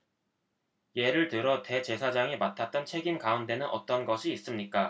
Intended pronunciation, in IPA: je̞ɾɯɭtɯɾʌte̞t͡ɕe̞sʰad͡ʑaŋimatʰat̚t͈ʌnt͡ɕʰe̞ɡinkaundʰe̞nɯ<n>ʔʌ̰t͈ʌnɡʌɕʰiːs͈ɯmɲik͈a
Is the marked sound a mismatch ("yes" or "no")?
no